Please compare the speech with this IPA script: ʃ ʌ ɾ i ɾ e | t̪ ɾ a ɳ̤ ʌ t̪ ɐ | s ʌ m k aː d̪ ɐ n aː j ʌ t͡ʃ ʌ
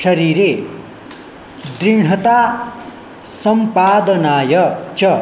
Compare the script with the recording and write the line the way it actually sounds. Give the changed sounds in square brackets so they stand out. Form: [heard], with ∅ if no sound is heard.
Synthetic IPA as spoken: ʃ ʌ ɾ i ɾ e | [d̪] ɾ [i] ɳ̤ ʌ t̪ [a] | s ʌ m [p] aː d̪ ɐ n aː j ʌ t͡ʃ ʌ